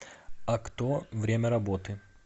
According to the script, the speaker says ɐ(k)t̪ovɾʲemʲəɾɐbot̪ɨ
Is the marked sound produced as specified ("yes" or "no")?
yes